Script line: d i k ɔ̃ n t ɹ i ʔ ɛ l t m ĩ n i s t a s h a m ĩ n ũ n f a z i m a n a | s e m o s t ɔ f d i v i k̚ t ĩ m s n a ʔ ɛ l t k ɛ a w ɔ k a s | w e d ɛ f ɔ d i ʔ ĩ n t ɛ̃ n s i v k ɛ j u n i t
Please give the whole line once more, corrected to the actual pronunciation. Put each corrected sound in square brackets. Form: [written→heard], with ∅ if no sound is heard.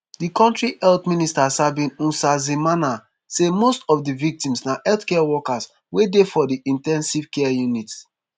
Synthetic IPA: d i k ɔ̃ n t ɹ i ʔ ɛ l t m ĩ n i s t a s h a [m→b] ĩ n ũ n [f→s] a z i m a n a | s e m o s t ɔ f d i v i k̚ t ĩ m s n a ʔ ɛ l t k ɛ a w ɔ k a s | w e d [ɛ→e] f ɔ d i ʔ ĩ n t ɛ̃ n s i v k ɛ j u n i t

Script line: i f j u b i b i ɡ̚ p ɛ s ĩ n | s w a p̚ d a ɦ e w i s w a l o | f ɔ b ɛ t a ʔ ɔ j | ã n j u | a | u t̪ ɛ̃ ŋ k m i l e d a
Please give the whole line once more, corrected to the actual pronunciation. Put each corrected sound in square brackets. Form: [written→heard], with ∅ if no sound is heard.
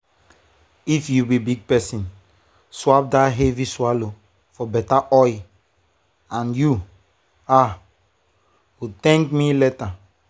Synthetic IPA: i f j u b i b i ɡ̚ p ɛ s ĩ n | s w a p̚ d a ɦ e [w→v] i s w a l o | f ɔ b ɛ t a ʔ ɔ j | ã n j u | a | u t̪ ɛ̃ ŋ k m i l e [d→t] a

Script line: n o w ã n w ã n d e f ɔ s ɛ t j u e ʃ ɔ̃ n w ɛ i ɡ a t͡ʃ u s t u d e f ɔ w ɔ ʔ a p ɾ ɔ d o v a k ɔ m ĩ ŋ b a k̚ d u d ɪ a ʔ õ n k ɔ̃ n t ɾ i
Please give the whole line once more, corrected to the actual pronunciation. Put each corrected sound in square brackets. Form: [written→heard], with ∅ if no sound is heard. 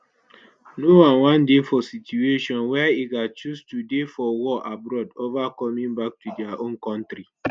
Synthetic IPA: n o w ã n w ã n d e f ɔ s [ɛ→i] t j u e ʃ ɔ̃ n w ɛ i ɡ a t͡ʃ u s t u d e f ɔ w ɔ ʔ a [p→b] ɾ ɔ d o v a k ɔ m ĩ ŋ b a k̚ [d→t] u d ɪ a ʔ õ n k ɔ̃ n t ɾ i

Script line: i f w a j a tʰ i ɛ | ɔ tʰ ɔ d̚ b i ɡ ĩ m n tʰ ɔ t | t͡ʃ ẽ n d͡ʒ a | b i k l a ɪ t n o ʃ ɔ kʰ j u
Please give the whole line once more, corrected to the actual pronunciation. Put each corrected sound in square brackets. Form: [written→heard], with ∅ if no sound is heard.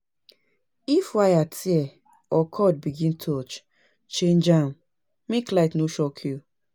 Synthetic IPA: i f w a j a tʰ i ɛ | ɔ [tʰ→kʰ] ɔ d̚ b i ɡ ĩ [m→∅] n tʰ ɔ [t→t͡ʃ] | t͡ʃ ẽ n d͡ʒ a | [b→m] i k l a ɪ t n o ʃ ɔ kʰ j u

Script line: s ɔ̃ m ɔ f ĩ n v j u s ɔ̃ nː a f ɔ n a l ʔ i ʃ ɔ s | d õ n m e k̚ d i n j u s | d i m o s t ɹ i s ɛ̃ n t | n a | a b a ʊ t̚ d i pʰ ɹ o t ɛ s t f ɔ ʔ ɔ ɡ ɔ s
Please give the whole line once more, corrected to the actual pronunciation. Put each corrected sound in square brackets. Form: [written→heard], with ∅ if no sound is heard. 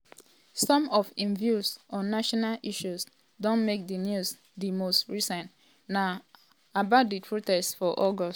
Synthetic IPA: s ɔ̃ m ɔ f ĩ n v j u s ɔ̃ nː a [f→ʃ] ɔ n a l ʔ i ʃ [ɔ→u] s | d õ n m e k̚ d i n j u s | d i m o s t ɹ i s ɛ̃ n t | n a | a b a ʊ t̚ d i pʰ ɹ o t ɛ s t f ɔ ʔ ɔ ɡ ɔ s

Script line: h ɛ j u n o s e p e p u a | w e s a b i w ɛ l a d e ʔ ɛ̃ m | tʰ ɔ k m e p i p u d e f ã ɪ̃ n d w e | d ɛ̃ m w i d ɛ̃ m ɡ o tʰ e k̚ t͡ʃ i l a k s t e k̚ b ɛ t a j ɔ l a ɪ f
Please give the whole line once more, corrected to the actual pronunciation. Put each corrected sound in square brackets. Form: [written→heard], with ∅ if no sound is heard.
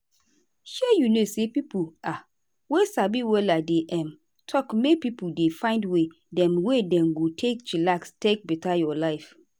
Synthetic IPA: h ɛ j u n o s e p [e→i] p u a | w e s a b i w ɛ l a d e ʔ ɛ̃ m | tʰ ɔ k m e p i p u d e f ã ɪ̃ n d w e | d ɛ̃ m w [i→e] d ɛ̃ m ɡ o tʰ e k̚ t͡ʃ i l a k s t e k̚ b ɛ t a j ɔ l a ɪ f

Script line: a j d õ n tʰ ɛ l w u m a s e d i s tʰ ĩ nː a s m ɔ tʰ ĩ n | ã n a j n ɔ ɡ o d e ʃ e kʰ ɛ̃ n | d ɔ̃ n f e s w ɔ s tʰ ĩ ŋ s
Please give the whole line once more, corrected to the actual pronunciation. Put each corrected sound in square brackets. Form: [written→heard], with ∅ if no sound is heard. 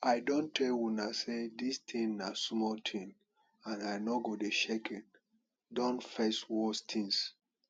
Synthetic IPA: a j d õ n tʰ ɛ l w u [m→n] a s e d i s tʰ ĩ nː a s m ɔ tʰ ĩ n | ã n a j n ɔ ɡ o d e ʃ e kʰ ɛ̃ n | d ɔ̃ n f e s w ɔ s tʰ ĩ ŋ s

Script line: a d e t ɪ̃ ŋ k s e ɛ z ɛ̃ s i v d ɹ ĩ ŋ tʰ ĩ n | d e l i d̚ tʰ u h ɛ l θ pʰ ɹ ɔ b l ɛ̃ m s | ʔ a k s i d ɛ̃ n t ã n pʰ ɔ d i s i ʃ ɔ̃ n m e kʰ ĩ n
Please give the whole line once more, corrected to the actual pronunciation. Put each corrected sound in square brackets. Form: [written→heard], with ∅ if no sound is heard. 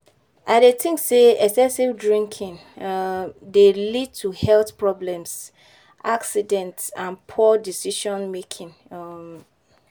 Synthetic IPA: a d e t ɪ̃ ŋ k s e ɛ [z→s] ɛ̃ s i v d ɹ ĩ ŋ [tʰ→kʰ] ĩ n | d e l i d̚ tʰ u h ɛ l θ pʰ ɹ ɔ b l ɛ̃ m s | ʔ a k s i d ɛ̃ n t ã n pʰ ɔ d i s i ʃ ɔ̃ n m e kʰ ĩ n

